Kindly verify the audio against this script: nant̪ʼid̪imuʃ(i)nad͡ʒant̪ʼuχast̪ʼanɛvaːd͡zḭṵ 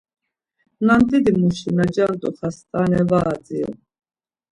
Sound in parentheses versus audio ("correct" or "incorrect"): correct